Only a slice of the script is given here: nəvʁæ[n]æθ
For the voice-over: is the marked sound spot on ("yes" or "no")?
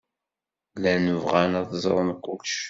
yes